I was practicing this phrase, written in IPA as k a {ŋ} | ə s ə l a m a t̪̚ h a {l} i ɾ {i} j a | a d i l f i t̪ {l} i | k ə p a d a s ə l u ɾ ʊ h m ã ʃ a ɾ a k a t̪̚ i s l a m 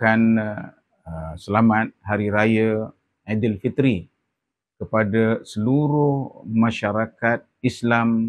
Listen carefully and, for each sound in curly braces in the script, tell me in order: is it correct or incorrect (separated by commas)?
incorrect, incorrect, incorrect, incorrect